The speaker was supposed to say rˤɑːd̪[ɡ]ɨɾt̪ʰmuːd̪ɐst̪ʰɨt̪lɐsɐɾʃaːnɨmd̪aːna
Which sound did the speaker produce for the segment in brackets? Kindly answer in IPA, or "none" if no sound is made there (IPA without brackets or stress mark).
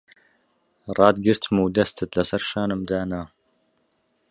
ɡ